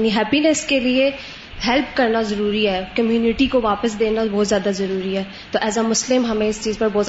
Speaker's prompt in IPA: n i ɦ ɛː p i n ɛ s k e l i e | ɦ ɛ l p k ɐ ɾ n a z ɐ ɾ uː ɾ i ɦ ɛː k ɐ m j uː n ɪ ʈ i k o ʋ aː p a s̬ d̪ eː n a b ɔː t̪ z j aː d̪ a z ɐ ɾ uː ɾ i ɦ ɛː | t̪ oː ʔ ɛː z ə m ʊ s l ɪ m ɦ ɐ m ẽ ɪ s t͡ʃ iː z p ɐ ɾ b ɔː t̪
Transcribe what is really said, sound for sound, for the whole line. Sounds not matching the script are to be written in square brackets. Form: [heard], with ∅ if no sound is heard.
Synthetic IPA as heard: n i ɦ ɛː p i n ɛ s k e l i e | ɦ ɛ l p k ɐ ɾ n a z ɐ ɾ uː ɾ i ɦ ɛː k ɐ m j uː n ɪ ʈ i k o ʋ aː p [ə] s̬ d̪ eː n a b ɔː t̪ z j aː d̪ a z ɐ ɾ uː ɾ i ɦ ɛː | t̪ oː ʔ ɛː z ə m ʊ s l ɪ m ɦ ɐ m ẽ ɪ s t͡ʃ iː z p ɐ ɾ b ɔː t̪